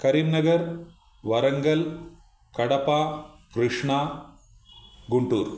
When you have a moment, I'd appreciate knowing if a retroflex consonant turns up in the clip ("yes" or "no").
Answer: yes